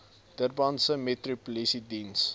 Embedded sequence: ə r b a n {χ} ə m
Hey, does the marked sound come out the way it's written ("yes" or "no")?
no